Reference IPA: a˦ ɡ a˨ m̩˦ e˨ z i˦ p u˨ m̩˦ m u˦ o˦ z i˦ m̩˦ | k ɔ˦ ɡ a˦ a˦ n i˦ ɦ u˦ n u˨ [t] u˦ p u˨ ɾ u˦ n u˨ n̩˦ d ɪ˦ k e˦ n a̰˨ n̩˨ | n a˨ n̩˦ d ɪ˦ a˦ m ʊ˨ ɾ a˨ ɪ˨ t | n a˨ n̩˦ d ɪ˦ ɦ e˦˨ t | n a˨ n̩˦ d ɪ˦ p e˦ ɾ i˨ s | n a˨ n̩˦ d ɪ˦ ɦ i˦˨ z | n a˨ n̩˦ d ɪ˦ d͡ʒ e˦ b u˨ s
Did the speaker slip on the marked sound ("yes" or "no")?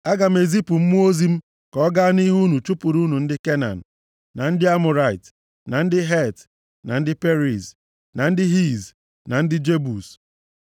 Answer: yes